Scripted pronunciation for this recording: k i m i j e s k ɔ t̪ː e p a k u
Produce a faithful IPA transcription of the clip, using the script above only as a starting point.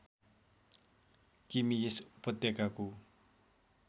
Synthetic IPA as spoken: k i m i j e s p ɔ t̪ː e k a k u